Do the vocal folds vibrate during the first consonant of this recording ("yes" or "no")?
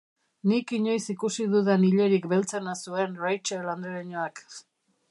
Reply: yes